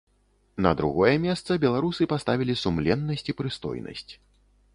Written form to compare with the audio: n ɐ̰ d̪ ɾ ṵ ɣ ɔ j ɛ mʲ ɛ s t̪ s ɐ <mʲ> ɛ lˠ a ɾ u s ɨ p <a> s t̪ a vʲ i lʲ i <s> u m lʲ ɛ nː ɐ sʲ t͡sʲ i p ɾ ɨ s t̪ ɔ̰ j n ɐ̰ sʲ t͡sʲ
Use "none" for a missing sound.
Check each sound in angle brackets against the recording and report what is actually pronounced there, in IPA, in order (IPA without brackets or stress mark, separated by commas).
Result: bʲ, a, s